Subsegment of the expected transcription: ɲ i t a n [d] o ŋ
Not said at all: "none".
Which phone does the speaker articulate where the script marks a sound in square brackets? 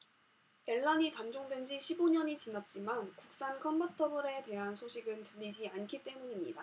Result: d͡ʑ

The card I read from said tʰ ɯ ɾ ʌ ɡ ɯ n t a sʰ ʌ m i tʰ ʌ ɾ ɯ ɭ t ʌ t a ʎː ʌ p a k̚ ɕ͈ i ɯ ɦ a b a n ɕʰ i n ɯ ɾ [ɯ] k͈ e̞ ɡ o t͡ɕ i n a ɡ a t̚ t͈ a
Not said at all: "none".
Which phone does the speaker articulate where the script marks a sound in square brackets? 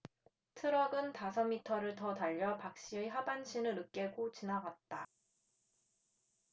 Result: ɯ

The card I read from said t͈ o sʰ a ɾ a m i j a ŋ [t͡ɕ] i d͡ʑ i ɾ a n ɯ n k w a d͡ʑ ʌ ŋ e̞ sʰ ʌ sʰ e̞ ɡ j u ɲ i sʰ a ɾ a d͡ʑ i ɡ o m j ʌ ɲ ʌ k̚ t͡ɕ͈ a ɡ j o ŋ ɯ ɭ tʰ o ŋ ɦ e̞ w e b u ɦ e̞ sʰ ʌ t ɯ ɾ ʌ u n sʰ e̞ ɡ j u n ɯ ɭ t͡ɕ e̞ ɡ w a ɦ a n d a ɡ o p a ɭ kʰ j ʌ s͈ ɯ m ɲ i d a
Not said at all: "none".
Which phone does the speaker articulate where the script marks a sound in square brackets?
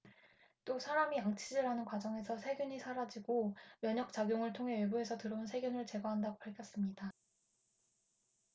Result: t͡ɕʰ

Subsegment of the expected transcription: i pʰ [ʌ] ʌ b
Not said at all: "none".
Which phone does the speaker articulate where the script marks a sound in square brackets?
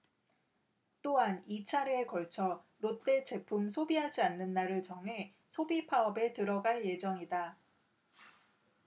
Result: a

